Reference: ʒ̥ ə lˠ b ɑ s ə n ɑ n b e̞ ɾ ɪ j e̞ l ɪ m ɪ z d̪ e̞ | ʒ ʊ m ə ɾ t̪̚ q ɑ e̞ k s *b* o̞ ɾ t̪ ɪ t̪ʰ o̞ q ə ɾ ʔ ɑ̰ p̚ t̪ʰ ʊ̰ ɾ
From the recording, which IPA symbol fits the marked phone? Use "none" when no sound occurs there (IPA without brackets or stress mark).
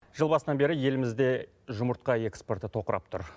p